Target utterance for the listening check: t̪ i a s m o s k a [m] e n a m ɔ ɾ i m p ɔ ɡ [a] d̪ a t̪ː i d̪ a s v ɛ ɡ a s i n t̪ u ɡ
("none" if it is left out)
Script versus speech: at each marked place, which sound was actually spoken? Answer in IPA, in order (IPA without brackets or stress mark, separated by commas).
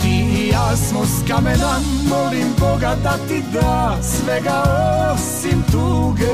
m, a